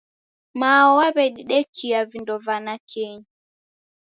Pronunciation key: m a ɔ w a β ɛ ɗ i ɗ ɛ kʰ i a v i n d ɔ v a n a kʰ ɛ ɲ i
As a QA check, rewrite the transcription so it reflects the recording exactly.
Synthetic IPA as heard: m a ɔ w a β ɛ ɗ i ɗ ɛ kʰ i a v i n d ɔ v a n a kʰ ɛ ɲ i